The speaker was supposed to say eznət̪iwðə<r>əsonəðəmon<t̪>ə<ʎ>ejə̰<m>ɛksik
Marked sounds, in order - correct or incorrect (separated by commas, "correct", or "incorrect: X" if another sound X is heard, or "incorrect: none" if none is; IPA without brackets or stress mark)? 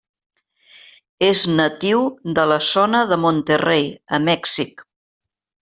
incorrect: l, correct, incorrect: r, correct